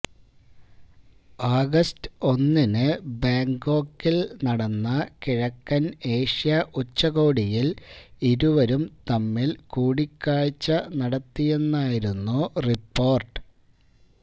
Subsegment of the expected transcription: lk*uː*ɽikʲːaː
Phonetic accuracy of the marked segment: correct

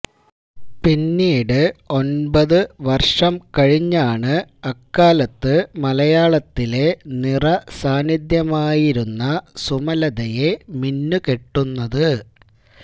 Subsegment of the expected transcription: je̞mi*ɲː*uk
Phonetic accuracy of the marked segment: incorrect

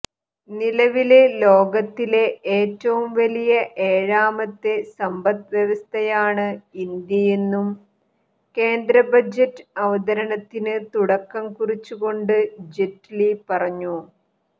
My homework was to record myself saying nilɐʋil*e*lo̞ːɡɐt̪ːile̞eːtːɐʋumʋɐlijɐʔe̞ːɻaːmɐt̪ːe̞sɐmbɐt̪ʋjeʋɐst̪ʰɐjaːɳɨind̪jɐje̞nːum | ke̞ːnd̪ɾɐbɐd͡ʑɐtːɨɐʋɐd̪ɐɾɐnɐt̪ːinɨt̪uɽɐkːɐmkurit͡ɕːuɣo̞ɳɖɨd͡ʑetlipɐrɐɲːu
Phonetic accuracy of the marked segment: correct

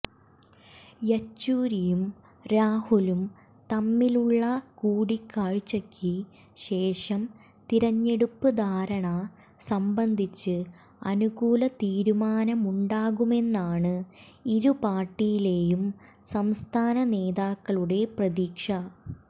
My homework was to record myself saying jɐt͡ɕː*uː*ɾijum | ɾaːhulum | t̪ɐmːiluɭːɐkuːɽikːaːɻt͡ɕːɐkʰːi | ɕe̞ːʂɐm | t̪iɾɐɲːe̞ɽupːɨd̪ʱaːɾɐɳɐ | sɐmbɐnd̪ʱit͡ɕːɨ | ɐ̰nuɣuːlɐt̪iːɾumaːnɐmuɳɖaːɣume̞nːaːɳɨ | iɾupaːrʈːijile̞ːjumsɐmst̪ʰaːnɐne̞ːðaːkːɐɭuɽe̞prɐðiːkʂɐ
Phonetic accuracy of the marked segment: correct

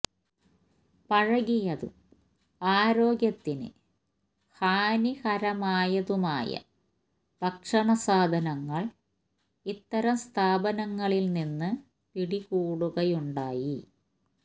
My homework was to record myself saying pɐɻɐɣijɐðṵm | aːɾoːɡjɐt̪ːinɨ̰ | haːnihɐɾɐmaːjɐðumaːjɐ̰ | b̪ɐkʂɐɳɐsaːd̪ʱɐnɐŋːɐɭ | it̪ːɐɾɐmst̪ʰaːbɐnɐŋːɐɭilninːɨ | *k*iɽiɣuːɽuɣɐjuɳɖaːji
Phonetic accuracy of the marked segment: incorrect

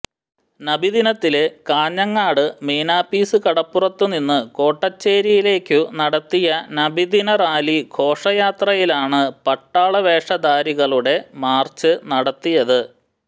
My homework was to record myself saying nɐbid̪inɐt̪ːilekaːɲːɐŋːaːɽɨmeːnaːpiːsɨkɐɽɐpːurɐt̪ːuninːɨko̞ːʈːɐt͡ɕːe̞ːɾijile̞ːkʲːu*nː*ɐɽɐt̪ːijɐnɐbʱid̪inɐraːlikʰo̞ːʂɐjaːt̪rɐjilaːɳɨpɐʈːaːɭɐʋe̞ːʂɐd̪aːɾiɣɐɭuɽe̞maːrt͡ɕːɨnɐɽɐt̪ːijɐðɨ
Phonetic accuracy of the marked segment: incorrect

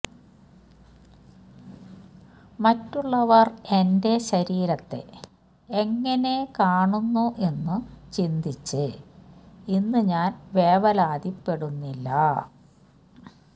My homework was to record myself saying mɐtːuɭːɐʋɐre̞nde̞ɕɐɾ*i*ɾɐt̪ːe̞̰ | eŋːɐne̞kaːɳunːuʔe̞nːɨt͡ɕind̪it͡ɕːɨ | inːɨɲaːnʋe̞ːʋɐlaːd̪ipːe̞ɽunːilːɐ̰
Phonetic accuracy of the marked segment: incorrect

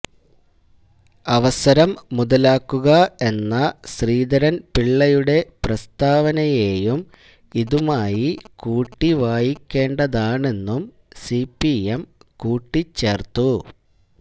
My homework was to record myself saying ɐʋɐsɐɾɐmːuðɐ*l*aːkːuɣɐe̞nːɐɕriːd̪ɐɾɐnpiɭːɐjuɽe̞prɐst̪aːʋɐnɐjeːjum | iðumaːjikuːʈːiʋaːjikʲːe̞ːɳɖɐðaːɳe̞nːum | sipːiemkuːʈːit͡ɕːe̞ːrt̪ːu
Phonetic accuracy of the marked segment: correct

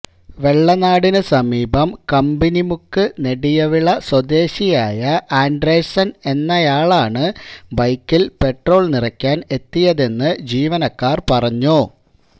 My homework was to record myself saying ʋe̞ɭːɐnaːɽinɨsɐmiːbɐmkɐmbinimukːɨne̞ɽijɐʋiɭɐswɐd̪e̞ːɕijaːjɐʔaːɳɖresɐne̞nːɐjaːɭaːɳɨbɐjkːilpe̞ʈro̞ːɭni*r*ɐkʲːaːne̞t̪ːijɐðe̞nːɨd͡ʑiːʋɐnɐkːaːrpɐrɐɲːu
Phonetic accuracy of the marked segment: correct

